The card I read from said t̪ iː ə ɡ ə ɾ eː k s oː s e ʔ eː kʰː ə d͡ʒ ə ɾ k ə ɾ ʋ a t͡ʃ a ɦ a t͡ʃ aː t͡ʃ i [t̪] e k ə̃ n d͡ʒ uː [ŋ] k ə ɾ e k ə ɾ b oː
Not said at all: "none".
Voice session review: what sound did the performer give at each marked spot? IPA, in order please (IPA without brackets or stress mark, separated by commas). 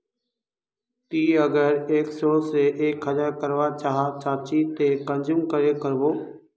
t̪, m